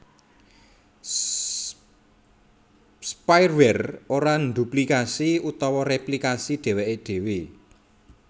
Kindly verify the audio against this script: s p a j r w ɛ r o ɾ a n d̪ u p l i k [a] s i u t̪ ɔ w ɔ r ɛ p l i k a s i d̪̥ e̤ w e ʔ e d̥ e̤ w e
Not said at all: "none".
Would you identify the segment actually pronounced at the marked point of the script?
a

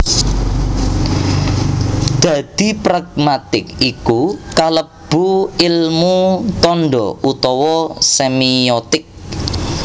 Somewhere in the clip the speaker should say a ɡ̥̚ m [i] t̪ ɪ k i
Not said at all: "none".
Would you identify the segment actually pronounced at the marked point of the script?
a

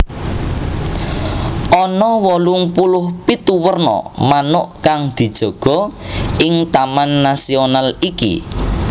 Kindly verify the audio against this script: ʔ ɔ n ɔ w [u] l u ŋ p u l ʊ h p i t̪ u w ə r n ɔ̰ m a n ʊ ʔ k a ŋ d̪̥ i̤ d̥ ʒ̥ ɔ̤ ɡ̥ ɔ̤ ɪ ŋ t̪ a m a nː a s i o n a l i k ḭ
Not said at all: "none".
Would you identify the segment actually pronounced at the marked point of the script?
ɔ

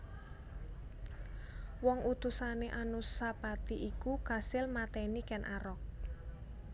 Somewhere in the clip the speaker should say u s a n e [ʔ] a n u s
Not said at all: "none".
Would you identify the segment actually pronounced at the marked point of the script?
ʔ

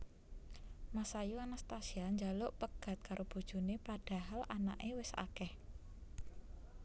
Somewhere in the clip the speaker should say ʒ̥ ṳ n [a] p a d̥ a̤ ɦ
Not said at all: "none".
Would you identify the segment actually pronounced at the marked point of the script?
e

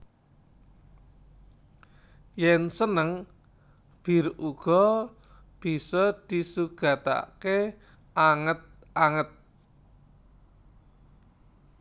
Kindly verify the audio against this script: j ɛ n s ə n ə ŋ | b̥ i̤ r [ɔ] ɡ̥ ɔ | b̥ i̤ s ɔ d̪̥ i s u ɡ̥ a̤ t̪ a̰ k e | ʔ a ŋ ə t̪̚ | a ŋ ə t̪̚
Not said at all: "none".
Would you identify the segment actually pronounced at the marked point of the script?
u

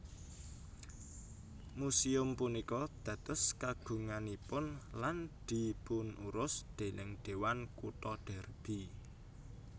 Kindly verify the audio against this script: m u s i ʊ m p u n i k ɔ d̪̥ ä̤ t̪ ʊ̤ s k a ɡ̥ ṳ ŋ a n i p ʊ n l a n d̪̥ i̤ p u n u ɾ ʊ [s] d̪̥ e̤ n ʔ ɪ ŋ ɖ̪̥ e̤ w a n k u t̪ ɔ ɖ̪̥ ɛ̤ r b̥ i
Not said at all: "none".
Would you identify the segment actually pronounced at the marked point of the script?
s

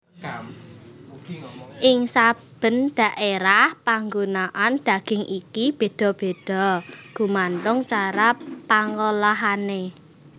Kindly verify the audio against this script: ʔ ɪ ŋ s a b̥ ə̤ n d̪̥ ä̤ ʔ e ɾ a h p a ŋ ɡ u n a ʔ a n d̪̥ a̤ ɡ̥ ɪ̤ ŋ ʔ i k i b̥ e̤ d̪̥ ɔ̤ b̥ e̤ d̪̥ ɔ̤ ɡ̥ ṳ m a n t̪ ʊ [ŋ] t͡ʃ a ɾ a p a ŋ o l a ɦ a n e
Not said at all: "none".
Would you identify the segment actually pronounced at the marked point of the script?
ŋ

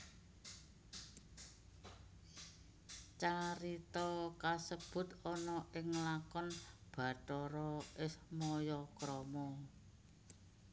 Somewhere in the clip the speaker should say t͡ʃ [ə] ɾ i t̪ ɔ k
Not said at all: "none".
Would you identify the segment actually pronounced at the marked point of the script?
a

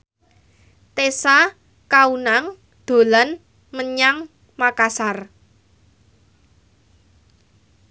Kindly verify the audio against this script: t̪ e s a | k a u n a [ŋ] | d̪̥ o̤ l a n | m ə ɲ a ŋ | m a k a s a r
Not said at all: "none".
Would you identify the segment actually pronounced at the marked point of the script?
ŋ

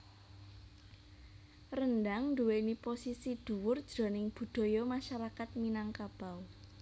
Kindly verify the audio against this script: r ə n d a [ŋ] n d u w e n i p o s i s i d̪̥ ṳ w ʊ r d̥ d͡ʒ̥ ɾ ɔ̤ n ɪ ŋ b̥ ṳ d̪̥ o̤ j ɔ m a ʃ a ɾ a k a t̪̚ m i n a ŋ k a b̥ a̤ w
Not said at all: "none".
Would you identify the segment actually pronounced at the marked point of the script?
ŋ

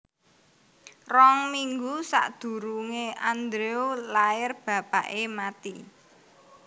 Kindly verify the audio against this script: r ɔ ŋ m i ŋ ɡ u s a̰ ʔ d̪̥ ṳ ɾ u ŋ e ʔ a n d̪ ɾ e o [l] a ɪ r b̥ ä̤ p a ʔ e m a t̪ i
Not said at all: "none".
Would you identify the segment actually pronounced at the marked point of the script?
l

